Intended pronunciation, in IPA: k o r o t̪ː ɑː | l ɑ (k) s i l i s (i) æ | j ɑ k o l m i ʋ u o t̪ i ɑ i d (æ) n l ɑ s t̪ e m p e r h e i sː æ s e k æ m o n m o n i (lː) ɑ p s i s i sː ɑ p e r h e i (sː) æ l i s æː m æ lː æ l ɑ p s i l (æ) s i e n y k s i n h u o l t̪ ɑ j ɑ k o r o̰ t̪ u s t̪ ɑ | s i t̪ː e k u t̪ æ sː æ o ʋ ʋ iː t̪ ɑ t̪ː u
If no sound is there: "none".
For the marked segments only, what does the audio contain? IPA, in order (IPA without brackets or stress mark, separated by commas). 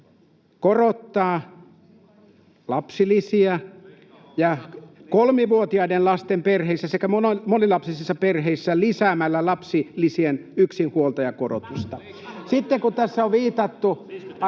p, i, e, l, sː, i